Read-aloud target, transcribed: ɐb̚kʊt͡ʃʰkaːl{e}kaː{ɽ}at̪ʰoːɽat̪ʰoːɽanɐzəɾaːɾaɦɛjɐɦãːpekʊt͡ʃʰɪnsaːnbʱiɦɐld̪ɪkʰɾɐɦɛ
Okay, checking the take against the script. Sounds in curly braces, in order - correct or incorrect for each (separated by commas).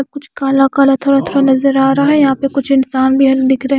incorrect, incorrect